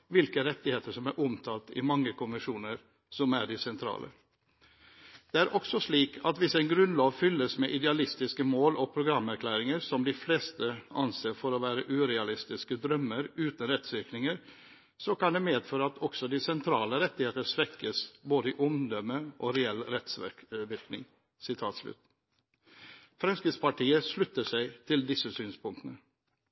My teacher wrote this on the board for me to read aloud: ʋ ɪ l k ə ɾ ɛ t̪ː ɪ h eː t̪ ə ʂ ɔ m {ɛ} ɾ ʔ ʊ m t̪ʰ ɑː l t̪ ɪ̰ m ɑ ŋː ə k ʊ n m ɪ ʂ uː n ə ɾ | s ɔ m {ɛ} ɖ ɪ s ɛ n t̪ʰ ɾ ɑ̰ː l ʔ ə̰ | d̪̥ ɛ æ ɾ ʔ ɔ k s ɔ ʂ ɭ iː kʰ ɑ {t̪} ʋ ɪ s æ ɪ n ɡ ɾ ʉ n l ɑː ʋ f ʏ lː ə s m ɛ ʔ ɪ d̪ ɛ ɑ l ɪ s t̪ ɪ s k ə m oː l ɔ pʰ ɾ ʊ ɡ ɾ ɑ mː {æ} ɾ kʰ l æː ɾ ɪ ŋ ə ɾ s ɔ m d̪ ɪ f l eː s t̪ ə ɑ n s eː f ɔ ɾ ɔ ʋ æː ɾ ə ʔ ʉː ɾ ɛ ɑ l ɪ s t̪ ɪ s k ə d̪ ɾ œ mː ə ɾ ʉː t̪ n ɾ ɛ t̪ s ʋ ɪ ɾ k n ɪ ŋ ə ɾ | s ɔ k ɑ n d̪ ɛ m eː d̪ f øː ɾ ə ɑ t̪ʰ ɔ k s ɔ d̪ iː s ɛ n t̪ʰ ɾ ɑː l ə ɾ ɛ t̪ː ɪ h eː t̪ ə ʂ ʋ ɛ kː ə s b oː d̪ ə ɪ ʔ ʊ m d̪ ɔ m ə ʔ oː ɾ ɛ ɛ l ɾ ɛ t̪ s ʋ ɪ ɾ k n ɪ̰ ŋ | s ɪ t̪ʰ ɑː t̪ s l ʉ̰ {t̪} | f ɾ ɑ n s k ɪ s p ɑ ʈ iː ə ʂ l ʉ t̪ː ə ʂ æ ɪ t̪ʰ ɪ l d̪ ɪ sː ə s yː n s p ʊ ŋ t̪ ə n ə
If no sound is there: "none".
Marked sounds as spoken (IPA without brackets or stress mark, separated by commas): æ, æ, t̪, æ, t̪